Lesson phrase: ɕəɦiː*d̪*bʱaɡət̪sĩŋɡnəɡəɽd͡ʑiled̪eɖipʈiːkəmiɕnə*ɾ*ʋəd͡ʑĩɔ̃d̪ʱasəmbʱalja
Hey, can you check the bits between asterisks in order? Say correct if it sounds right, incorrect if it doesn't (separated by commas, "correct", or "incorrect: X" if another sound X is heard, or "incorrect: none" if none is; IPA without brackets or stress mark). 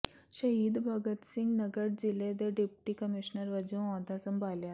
correct, correct